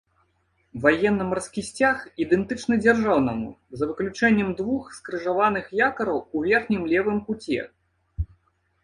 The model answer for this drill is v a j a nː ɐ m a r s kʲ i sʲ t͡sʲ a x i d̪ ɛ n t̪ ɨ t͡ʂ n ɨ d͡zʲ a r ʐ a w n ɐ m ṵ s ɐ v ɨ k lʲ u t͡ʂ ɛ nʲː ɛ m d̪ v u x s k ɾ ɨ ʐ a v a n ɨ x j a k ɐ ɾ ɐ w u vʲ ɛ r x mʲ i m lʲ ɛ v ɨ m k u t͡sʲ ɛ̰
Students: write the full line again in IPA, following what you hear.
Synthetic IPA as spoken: v a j ɛ nː ɐ m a r s kʲ i sʲ t͡sʲ a x i d̪ ɛ n t̪ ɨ t͡ʂ n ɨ d͡zʲ a r ʐ a w n ɐ m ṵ z ɐ v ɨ k lʲ u t͡ʂ ɛ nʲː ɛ m d̪ v u x s k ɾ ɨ ʐ a v a n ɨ x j a k ɐ ɾ ɐ w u vʲ ɛ r x nʲ i m lʲ ɛ v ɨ m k u t͡sʲ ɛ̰